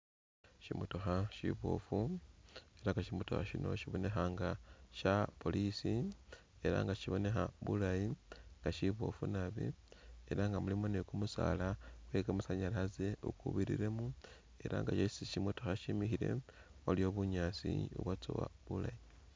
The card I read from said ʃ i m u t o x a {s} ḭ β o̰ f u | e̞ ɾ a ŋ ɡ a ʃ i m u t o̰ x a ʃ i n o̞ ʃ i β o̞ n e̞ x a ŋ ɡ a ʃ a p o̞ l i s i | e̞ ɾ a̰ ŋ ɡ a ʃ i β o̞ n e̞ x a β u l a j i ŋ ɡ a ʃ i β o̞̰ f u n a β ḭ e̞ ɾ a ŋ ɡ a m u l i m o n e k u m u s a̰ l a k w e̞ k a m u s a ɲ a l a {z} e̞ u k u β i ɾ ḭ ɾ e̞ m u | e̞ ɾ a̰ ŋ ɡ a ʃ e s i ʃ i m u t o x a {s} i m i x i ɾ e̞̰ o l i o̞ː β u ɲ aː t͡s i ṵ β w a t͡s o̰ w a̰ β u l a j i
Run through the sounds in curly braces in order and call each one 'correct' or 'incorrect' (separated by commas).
incorrect, correct, incorrect